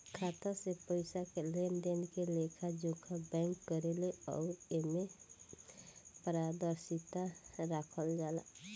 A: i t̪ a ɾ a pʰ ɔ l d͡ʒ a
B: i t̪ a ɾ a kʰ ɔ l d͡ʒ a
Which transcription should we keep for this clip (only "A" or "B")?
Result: B